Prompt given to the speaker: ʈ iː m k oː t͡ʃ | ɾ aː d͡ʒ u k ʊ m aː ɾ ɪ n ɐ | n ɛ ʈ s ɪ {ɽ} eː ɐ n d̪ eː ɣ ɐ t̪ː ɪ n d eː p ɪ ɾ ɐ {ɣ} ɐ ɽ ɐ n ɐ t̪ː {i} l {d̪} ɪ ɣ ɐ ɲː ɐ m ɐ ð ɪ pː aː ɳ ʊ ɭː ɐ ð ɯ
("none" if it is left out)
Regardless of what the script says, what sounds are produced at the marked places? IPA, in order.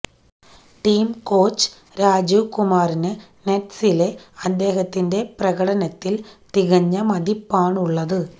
l, ɣ, ɪ, t̪

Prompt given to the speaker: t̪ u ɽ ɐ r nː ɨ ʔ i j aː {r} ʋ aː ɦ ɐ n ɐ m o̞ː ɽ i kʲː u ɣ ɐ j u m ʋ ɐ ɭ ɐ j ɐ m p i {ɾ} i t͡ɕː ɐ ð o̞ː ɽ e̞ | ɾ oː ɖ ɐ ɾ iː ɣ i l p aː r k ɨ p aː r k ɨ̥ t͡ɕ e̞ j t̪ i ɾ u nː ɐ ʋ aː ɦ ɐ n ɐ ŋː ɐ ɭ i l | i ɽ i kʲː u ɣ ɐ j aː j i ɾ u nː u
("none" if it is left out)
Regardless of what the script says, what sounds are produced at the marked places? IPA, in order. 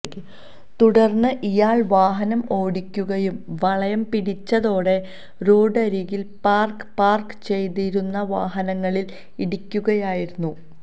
ɭ, ɽ

